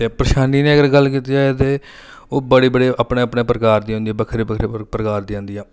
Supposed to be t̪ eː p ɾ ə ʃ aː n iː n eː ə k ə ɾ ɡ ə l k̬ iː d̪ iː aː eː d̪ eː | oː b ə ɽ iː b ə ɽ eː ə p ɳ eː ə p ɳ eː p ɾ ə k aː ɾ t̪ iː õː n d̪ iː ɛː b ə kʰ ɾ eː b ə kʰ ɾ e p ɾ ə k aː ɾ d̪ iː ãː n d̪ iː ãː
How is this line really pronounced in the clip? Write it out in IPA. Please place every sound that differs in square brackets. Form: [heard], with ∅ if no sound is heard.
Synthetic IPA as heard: t̪ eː p ɾ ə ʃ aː n iː n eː ə [ɡ] ə ɾ ɡ ə l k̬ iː [t̪] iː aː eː [t̪] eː | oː b ə ɽ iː b ə ɽ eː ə p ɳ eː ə p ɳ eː p ɾ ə k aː ɾ [d̪] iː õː n d̪ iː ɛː b ə kʰ ɾ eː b ə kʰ ɾ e p ɾ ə k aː ɾ d̪ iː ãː n d̪ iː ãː